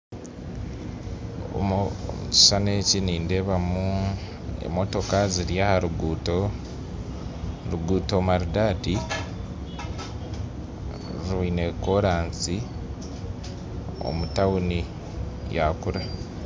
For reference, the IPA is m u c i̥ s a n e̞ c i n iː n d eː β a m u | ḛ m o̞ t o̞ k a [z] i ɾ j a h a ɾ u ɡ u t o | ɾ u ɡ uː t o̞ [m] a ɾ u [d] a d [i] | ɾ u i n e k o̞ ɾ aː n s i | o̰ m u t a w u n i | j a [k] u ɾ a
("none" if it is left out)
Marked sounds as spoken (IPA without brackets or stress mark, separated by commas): z, m, d, i, k